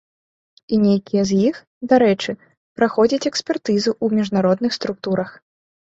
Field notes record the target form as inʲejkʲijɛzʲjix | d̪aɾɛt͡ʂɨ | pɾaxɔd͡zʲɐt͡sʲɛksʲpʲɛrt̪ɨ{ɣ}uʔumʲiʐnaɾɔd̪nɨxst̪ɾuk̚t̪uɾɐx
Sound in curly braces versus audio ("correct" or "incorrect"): incorrect